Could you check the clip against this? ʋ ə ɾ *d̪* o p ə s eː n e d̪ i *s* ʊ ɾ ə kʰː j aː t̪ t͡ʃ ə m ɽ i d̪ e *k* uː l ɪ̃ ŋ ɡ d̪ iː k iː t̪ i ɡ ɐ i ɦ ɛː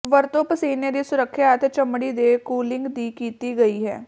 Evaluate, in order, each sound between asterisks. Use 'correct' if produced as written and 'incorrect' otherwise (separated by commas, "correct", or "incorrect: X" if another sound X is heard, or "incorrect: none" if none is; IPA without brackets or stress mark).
incorrect: t̪, correct, correct